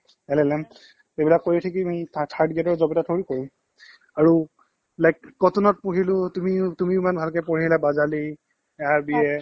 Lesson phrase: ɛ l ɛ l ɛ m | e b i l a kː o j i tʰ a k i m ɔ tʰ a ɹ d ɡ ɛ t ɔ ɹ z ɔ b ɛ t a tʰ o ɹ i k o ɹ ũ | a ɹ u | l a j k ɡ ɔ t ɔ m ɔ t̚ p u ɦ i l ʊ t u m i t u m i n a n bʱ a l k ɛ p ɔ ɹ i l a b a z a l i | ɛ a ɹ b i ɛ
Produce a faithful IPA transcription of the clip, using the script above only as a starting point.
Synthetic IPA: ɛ l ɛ l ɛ m | e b i l a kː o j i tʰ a k i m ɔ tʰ a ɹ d ɡ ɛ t ɔ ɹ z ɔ b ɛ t a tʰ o ɹ i k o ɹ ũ | a ɹ u | l a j k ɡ ɔ t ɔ n ɔ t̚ p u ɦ i l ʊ t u m i t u m i m a n bʱ a l k ɛ p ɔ ɹ i l a b a z a l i | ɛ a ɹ b i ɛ